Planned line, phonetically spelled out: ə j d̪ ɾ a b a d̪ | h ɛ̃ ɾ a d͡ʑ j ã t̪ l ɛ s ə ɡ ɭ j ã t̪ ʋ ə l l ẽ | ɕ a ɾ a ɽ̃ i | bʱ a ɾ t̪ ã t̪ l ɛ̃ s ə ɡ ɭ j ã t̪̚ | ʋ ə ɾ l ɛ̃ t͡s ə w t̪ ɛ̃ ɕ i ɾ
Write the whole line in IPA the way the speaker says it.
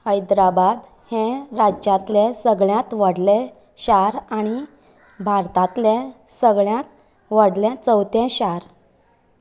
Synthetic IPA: ə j d̪ ɾ a b a d̪ | h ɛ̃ ɾ a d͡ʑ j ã t̪ l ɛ s ə ɡ ɭ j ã t̪ ʋ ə ɽ l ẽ | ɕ a ɾ a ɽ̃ i | bʱ a ɾ t̪ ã t̪ l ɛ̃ s ə ɡ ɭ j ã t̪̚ | ʋ ə ɽ l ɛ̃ t͡s ə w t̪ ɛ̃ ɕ a ɾ